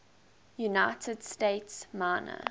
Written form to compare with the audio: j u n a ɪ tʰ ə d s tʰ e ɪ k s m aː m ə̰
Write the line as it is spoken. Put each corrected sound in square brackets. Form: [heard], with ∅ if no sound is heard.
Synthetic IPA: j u n a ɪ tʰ ə d s [t] e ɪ [t] s m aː [n] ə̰